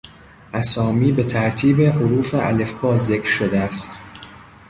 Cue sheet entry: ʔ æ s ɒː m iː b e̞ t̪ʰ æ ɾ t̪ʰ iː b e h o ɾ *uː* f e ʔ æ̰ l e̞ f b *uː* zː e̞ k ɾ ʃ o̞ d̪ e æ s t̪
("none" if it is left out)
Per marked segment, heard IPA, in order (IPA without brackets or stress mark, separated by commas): uː, ɒː